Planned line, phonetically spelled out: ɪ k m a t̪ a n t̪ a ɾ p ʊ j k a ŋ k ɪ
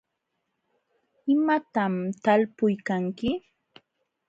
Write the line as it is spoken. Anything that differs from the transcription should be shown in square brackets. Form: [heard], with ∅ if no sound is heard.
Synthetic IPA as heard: ɪ [∅] m a t̪ a [m] t̪ a [l] p ʊ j k a ŋ k ɪ